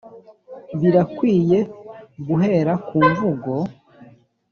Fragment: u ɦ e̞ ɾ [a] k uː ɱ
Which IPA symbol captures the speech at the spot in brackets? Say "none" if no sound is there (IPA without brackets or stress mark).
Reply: a